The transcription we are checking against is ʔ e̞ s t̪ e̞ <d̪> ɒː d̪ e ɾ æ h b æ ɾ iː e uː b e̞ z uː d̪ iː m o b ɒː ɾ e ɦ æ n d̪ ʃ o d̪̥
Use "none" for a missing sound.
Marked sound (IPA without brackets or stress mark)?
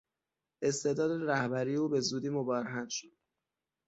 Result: d̪